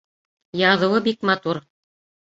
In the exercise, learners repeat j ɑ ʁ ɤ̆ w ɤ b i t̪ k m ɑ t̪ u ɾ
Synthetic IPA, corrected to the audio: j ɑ ð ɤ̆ w ɤ b i k m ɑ t̪ u ɾ